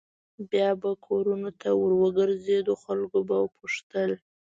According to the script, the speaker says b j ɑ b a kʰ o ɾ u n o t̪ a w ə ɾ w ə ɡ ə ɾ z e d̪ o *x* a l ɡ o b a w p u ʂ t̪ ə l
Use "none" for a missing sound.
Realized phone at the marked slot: x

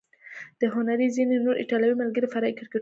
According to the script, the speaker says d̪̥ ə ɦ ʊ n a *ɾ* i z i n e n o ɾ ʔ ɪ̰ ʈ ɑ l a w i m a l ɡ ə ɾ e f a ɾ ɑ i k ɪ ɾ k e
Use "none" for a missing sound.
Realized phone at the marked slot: ɾ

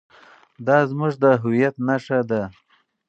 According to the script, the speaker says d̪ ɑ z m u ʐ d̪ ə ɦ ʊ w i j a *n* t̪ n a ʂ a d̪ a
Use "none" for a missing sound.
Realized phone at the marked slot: none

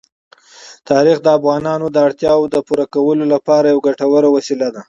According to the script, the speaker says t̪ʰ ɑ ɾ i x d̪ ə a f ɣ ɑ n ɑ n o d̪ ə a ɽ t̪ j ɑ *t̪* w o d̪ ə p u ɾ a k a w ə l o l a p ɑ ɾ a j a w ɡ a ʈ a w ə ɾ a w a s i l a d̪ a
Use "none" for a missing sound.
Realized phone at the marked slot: none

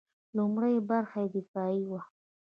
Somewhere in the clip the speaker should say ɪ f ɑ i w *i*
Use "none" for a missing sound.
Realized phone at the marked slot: a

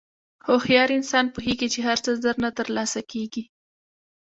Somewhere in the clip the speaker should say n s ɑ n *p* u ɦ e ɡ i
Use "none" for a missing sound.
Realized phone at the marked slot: p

